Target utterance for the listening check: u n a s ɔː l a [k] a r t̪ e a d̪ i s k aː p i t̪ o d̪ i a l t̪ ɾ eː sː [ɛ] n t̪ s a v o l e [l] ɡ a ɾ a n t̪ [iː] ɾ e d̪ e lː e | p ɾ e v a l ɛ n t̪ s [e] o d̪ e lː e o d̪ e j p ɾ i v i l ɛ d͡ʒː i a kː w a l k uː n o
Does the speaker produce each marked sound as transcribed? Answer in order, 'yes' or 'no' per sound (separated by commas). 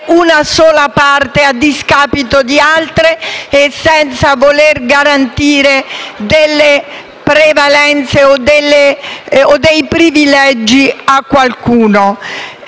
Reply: no, yes, no, yes, yes